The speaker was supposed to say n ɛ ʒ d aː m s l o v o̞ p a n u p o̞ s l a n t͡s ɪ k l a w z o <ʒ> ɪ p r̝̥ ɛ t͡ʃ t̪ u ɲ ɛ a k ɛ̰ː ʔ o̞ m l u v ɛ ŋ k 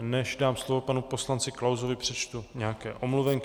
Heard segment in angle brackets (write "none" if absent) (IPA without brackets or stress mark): v